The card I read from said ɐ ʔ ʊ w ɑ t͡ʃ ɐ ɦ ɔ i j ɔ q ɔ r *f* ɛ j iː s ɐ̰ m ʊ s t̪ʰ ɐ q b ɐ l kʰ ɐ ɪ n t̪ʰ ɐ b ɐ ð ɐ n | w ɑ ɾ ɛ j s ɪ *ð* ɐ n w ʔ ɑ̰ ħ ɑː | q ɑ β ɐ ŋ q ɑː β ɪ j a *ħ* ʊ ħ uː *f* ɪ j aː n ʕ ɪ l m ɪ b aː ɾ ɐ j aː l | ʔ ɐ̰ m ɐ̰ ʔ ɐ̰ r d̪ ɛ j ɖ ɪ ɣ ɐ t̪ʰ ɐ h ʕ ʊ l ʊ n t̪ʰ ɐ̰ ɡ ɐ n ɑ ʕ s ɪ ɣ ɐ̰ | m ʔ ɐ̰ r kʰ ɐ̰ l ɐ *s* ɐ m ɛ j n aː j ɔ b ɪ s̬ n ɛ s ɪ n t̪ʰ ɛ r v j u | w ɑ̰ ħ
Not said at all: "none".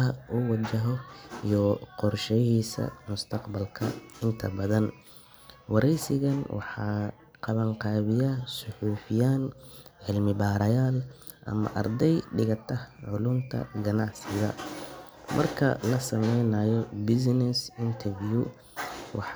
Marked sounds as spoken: ʃ, ɣ, s, f, s

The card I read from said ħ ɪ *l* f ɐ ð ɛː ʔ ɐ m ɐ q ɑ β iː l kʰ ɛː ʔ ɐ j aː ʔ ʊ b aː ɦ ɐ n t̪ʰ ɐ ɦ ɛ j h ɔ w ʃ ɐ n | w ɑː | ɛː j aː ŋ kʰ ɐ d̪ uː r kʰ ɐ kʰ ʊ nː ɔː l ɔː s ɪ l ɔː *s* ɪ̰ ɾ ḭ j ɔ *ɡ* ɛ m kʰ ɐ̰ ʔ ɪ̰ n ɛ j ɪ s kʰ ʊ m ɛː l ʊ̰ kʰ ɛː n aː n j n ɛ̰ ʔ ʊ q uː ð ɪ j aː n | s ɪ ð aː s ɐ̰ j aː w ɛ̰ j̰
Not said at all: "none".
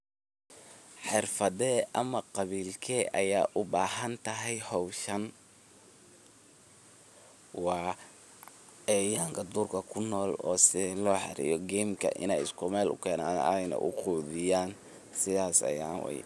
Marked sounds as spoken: r, ħ, ɡ

